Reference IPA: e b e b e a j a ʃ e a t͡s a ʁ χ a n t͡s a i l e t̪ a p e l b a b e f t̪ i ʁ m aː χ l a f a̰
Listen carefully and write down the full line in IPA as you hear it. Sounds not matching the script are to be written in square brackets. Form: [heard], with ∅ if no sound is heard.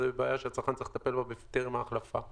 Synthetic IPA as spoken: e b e b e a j a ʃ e a t͡s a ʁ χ a n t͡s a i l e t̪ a p e l b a b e f t̪ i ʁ m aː χ l a f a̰